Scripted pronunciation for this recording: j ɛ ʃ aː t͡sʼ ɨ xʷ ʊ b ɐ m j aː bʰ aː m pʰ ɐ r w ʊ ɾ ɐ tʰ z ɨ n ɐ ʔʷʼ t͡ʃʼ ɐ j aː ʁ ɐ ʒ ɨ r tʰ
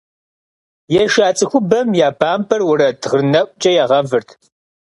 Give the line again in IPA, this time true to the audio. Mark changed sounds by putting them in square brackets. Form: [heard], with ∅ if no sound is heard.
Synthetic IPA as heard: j ɛ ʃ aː t͡sʼ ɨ xʷ ʊ b ɐ m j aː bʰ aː m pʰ ɐ r w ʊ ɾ ɐ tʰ [ʁ] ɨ n ɐ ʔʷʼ t͡ʃʼ ɐ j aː ʁ ɐ [v] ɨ r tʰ